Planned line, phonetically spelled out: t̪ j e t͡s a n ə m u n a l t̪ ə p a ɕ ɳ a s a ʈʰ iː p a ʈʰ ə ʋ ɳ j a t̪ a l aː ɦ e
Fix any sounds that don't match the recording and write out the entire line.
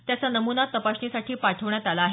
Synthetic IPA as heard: t̪ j a t͡s a n ə m u n a t̪ ə p a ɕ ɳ i s a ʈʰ iː p a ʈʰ ə ʋ ɳ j a t̪ a l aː ɦ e